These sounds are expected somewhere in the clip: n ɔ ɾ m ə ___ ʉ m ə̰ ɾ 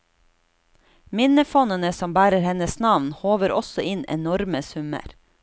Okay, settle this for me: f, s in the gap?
s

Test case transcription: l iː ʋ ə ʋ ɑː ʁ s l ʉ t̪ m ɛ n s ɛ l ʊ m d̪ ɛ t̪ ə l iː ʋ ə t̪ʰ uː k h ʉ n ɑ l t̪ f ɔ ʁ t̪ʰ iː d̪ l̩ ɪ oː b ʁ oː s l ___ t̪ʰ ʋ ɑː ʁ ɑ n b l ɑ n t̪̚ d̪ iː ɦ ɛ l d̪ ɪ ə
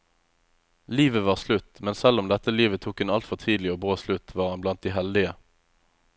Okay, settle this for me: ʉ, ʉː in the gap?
ʉ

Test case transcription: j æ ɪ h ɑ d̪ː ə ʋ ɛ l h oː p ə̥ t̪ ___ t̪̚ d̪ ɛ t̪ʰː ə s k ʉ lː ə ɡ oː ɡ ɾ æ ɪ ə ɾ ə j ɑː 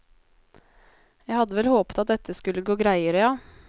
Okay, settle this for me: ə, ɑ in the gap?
ɑ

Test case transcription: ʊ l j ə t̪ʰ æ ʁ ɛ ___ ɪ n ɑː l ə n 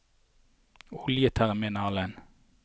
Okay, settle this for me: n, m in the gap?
m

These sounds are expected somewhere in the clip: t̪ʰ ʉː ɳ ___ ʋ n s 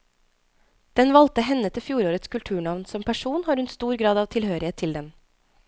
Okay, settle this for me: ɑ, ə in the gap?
ɑ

